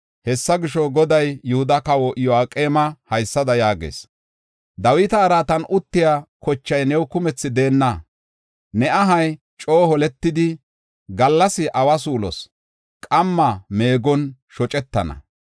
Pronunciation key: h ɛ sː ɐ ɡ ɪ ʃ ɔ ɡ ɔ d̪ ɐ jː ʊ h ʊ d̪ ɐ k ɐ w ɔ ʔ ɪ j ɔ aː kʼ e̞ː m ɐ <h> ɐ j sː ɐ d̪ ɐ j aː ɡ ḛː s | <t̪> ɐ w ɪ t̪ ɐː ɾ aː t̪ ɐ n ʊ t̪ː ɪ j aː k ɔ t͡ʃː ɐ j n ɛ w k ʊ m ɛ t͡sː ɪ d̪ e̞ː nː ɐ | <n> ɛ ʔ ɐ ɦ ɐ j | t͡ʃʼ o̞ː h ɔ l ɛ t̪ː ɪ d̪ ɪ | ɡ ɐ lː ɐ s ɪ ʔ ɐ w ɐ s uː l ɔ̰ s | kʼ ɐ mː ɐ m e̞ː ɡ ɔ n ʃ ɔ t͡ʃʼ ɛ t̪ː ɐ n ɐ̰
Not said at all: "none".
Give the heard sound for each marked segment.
h, d̪, n

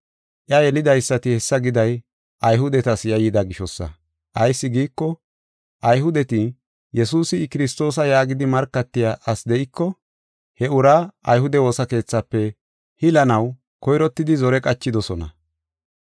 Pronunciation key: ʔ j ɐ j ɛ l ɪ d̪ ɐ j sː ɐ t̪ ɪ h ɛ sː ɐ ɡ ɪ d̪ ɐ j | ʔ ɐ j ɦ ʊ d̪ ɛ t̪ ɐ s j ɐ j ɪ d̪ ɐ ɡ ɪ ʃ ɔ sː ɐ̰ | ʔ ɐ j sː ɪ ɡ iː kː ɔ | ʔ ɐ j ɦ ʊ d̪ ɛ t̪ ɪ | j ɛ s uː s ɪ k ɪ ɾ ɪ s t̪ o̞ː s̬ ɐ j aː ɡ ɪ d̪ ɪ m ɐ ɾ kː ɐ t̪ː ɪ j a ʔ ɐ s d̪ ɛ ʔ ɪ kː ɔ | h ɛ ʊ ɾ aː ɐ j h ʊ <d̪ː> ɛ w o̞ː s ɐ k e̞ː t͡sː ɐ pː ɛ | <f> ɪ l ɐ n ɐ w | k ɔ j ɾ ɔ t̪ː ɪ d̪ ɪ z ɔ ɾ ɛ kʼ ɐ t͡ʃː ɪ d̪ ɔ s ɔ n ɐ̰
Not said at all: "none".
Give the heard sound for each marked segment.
d̪, h

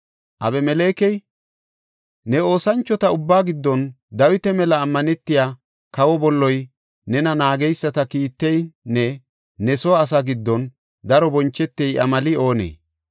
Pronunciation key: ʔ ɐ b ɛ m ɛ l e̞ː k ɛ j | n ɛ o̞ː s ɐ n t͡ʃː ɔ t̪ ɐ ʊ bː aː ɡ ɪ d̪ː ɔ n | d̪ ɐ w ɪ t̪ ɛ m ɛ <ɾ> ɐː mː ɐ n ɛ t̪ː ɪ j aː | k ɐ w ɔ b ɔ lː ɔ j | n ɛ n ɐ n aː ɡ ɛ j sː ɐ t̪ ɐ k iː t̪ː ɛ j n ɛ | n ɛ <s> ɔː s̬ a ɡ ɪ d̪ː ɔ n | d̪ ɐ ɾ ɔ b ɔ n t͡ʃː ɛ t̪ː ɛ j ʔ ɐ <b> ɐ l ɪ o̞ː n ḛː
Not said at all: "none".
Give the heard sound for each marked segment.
l, s, m

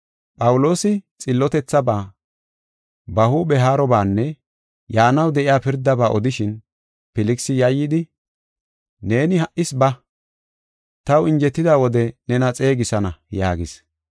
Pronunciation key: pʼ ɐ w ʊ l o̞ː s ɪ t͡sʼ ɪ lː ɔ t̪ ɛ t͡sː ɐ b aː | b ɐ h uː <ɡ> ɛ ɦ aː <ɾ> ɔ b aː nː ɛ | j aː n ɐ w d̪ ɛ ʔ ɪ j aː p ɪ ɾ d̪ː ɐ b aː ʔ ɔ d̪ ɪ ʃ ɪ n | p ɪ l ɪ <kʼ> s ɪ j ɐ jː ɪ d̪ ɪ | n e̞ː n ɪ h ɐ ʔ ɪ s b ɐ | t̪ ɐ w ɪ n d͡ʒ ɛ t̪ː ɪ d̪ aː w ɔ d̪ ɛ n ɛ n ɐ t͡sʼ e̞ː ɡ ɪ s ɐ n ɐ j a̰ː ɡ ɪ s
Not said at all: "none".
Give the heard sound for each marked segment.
b, ɾ, k

